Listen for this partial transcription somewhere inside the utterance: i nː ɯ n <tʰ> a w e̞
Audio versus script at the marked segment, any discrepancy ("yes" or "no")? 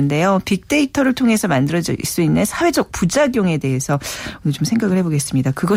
yes